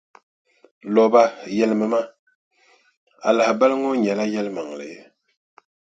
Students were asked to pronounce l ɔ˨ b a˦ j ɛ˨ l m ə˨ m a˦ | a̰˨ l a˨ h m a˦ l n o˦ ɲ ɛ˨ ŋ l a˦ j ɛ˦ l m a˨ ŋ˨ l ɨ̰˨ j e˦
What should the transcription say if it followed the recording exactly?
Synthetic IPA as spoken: l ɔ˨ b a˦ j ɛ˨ l m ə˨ m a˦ | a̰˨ l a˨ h b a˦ l ŋ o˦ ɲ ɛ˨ l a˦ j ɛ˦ l m a˨ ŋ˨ l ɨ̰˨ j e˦